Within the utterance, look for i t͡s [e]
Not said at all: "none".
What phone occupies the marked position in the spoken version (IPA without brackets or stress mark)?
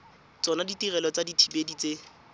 e